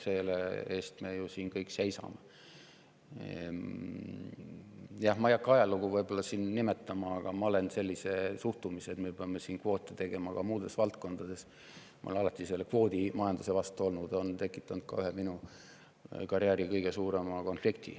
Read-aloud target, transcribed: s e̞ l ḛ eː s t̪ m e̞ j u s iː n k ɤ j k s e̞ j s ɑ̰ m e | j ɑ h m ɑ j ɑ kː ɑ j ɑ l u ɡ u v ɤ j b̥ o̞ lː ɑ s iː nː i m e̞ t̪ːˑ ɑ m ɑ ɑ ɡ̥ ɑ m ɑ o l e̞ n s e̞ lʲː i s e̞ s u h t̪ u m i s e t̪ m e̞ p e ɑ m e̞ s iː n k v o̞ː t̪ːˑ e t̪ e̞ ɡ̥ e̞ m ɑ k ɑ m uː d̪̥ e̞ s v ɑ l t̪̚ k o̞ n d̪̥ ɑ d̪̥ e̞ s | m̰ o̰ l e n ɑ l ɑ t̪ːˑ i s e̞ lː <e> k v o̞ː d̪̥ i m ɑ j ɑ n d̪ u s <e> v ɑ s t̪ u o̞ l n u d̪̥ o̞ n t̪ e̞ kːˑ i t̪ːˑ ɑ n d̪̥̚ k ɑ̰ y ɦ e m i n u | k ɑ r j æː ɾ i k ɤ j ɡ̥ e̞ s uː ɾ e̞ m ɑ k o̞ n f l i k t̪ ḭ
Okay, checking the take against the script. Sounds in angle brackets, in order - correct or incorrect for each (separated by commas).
correct, correct